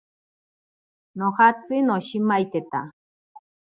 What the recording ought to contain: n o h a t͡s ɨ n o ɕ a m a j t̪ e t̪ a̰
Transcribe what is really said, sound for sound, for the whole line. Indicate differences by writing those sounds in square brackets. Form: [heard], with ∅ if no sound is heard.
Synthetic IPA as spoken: n o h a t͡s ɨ n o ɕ [i] m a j t̪ e t̪ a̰